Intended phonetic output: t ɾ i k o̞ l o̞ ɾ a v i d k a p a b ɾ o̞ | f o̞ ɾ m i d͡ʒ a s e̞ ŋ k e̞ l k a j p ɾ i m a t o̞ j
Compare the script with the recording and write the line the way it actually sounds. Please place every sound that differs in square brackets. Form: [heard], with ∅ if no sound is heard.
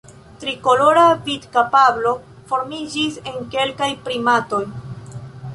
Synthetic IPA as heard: t ɾ i k o̞ l o̞ ɾ a v i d k a p a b [l] o̞ | f o̞ ɾ m i d͡ʒ [i] s e̞ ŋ k e̞ l k a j p ɾ i m a t o̞ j

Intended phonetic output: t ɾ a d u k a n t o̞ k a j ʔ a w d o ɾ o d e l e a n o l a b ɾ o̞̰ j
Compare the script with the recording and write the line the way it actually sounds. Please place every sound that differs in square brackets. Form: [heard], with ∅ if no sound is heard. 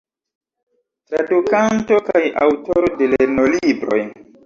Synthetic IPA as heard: t ɾ a d u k a n t o̞ k a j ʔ a w [t] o ɾ o d e l e [e] n o l [i] b ɾ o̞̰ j

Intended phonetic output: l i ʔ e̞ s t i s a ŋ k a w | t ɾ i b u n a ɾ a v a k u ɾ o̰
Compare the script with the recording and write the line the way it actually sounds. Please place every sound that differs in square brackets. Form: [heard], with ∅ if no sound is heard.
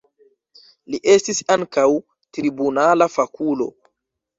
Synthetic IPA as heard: l i ʔ e̞ s t i s a ŋ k a w | t ɾ i b u n a [l] a [f] a k u [l] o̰

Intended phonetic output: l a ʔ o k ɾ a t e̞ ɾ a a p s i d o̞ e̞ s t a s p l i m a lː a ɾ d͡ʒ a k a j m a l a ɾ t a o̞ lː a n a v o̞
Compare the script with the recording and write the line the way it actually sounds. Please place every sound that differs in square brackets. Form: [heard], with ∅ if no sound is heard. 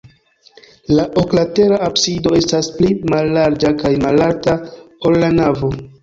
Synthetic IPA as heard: l a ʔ o k [l] a t e̞ ɾ a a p s i d o̞ e̞ s t a s p l i m a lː a ɾ d͡ʒ a k a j m a l a ɾ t a o̞ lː a n a v o̞

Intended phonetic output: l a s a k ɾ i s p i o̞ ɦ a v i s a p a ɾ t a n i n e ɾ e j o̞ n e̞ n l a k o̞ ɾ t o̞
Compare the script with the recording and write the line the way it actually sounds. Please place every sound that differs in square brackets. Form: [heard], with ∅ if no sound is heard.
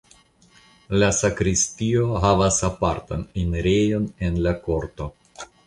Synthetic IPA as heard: l a s a k ɾ i s [t] i o̞ ɦ a v [a] s a p a ɾ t a n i n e ɾ e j o̞ n e̞ n l a k o̞ ɾ t o̞

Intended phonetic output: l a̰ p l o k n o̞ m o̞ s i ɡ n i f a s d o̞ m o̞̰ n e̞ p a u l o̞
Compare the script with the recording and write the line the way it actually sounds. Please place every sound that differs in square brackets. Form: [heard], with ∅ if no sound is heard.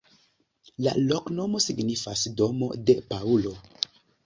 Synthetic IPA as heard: l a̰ [∅] l o k n o̞ m o̞ s i ɡ n i f a s d o̞ m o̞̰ [d] e̞ p a u l o̞

